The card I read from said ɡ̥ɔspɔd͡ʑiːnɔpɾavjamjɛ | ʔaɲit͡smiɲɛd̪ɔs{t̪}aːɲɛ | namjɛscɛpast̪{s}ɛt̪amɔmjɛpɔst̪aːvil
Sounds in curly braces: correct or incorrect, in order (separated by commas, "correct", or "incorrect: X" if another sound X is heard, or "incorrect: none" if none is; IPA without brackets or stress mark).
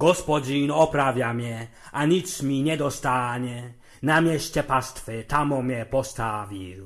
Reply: correct, incorrect: f